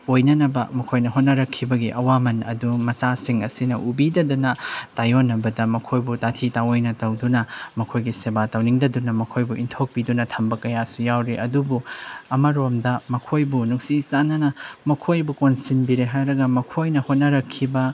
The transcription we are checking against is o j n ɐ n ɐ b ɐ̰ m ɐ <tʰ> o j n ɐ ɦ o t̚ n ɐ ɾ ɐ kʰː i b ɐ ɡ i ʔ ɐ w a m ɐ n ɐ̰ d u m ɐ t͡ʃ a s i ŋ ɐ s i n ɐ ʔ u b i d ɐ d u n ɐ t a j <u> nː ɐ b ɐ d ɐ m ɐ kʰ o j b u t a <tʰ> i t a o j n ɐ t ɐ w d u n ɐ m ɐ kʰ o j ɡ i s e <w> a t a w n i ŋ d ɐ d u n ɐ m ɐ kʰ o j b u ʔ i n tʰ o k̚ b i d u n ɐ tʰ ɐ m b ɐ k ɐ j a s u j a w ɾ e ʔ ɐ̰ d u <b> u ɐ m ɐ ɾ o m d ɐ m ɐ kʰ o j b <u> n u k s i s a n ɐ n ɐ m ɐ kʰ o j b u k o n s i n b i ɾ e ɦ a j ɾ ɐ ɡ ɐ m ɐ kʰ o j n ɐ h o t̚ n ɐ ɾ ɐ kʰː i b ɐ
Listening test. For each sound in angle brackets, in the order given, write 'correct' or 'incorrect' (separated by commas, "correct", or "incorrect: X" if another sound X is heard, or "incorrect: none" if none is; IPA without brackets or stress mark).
incorrect: kʰ, incorrect: o, correct, incorrect: b, correct, correct